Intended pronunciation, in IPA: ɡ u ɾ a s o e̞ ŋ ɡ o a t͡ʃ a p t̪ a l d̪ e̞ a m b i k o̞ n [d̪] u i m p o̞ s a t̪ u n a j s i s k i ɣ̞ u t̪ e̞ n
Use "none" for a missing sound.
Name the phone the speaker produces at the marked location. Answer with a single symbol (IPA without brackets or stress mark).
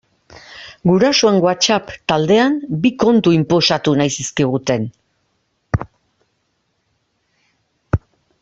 t̪